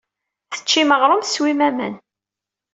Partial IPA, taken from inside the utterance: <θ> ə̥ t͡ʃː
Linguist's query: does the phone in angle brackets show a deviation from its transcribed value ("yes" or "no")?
no